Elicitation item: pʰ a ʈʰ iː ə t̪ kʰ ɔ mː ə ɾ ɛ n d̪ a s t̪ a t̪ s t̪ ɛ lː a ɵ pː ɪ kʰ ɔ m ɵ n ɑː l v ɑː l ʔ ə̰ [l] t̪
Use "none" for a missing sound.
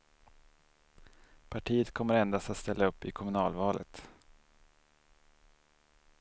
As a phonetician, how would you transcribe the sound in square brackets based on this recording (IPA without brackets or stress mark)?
none